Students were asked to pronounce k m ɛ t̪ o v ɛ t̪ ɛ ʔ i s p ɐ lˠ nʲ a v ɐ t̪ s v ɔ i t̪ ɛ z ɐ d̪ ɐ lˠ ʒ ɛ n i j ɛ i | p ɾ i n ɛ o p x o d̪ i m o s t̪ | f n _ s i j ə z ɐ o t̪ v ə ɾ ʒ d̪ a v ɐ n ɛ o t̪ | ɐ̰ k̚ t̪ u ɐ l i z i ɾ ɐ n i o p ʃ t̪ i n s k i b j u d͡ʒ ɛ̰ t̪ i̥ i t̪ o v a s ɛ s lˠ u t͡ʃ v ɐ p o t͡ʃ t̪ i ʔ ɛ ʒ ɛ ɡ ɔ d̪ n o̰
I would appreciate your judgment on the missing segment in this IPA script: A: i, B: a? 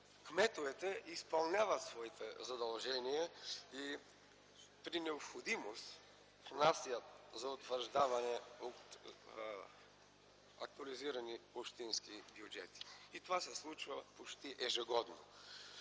B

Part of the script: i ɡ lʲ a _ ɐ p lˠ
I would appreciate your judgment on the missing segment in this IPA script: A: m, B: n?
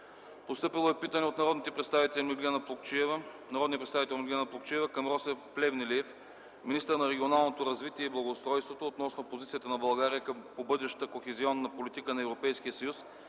B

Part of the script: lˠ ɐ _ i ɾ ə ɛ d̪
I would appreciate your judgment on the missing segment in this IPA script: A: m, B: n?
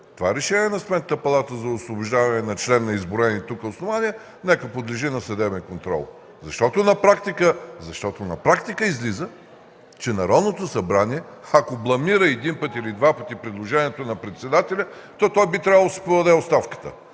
A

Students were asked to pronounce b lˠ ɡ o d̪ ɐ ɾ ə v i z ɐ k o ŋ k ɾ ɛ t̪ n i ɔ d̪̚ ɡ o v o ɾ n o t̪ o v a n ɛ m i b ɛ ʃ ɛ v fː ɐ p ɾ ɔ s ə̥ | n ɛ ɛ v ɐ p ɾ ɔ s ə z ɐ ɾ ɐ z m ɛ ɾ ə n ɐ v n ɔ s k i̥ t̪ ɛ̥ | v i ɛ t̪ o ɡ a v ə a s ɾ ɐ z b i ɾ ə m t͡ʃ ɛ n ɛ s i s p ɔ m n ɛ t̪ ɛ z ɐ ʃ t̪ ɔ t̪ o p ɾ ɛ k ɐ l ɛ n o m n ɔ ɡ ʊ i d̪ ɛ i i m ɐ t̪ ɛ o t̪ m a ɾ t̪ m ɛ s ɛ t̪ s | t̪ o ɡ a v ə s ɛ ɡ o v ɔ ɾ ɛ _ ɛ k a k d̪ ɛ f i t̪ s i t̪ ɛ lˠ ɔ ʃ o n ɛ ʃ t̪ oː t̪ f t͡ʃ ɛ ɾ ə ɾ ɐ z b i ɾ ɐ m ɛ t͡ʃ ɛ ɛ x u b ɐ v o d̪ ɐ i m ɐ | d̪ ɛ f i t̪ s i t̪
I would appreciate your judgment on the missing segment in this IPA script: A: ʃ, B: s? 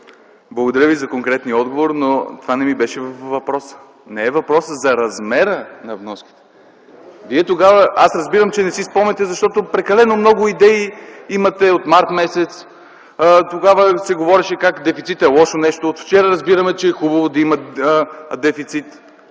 A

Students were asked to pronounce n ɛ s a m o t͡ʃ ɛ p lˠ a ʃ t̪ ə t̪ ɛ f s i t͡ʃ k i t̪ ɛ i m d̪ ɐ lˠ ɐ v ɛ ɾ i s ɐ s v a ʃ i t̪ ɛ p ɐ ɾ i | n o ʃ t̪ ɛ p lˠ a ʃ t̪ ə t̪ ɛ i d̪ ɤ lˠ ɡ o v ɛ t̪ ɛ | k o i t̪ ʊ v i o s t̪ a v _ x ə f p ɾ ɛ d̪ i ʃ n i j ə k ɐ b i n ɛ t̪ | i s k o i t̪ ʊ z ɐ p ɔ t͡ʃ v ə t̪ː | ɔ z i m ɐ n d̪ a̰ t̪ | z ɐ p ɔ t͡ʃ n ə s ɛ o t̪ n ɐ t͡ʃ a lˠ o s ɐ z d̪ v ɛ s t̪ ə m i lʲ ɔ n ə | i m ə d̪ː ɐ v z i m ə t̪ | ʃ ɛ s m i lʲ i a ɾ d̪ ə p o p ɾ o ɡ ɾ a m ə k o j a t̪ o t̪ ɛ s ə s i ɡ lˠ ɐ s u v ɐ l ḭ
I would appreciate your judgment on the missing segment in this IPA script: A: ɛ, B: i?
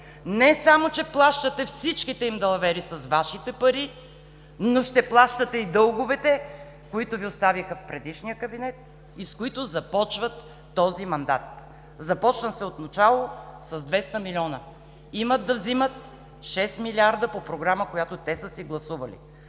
B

